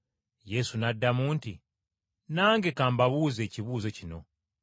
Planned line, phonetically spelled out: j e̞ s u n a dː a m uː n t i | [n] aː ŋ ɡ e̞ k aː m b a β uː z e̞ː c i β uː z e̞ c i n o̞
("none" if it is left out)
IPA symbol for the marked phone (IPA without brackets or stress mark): n